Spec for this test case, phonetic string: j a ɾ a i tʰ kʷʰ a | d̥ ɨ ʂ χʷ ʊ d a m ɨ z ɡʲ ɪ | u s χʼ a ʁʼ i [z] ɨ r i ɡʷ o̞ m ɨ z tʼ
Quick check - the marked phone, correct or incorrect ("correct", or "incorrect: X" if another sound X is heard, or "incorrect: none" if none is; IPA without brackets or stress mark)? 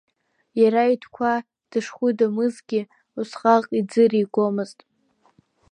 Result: incorrect: d͡z